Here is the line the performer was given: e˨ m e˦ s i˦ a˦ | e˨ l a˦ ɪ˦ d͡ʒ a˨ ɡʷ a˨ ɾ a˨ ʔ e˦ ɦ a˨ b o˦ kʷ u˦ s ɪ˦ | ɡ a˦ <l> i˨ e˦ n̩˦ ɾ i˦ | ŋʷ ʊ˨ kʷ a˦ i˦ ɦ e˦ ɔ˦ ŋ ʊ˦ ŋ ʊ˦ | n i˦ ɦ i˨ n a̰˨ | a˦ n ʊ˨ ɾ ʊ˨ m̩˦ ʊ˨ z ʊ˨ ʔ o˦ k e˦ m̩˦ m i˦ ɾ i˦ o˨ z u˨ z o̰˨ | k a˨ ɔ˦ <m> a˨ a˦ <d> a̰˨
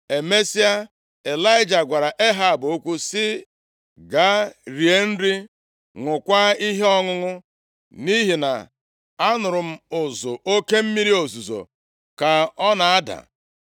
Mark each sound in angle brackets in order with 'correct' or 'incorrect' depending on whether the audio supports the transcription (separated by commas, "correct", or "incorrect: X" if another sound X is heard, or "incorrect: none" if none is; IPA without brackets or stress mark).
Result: incorrect: ɾ, incorrect: n, correct